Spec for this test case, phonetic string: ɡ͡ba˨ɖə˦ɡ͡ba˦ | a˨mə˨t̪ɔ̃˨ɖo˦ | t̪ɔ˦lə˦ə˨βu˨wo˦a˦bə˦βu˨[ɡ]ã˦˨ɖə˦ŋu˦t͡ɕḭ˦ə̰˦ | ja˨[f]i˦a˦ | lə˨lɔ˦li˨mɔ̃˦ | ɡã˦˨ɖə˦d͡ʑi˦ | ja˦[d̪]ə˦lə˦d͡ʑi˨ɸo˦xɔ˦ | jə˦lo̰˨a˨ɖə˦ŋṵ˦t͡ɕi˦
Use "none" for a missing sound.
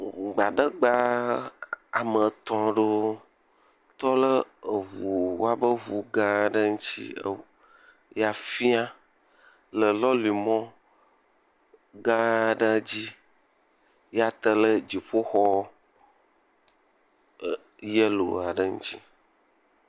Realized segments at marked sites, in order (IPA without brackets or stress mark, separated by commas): ɡ, f, t̪